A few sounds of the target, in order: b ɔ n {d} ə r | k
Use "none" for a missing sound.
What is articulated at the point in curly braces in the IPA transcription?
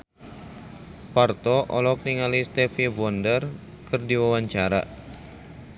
d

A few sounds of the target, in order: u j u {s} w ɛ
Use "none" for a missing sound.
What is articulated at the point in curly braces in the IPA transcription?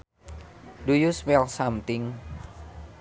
s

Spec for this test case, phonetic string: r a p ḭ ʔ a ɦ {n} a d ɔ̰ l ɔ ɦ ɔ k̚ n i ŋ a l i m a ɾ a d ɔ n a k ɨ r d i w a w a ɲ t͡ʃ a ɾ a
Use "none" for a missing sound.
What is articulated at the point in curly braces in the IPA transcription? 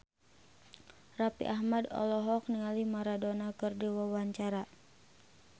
m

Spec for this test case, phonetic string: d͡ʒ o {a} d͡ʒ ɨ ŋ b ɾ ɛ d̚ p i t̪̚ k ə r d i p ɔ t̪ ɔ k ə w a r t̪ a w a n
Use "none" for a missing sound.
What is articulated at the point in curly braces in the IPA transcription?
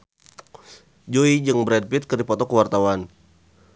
i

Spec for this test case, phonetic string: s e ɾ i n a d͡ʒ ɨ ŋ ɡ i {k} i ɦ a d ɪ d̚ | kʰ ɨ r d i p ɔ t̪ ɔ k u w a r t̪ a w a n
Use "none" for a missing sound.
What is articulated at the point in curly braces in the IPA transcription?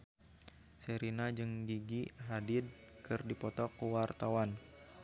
ɡ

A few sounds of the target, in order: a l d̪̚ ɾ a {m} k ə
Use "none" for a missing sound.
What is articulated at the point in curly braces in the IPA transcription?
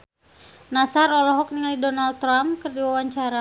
m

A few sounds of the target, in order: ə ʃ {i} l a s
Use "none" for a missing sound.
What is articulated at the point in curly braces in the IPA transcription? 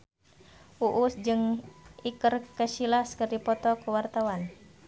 i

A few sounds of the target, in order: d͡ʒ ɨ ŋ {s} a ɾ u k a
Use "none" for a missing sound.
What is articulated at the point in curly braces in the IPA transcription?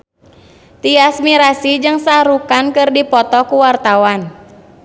s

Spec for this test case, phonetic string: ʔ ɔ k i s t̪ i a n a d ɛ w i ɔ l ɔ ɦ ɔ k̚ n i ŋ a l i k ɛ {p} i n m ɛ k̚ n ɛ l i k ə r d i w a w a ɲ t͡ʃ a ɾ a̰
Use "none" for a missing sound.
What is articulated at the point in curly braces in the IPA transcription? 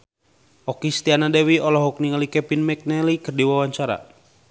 p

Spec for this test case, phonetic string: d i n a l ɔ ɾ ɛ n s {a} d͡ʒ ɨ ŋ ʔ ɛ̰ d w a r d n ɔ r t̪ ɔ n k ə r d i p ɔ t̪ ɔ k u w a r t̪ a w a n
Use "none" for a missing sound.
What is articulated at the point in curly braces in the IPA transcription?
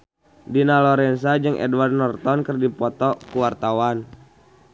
a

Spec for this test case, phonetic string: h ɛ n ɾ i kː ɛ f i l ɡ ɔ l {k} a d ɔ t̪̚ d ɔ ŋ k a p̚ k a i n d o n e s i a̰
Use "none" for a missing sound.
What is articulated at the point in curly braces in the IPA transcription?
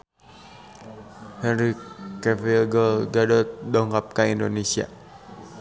ɡ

